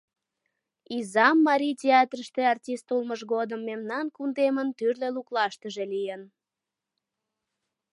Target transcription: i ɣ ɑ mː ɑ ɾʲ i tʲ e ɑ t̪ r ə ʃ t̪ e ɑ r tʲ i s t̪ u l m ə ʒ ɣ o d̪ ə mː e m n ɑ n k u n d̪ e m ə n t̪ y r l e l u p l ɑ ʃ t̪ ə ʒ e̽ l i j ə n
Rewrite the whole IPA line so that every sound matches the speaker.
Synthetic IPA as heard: i z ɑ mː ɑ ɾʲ i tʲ e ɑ t̪ r ə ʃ t̪ e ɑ r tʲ i s t̪ u l m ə ʒ ɣ o d̪ ə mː e m n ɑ n k u n d̪ e m ə n t̪ y r l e l u k l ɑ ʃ t̪ ə ʒ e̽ l i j ə n